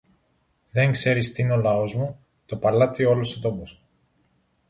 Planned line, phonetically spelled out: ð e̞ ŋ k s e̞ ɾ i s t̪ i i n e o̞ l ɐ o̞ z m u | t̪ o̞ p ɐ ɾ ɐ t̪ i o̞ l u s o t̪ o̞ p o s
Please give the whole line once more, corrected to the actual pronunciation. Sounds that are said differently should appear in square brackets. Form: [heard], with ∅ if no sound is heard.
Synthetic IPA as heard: ð e̞ ŋ k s e̞ ɾ i s t̪ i i n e o̞ l ɐ o̞ z m u | t̪ o̞ p ɐ [l] ɐ t̪ i o̞ l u s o t̪ o̞ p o s